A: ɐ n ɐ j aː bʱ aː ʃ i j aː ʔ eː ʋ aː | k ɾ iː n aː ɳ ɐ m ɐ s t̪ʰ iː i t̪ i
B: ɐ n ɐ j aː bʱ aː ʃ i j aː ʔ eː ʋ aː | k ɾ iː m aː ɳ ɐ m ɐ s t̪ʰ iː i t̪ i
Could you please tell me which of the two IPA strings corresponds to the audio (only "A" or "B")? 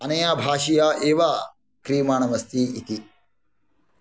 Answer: B